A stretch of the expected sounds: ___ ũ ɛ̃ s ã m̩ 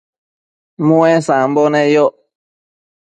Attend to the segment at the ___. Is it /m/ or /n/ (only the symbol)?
m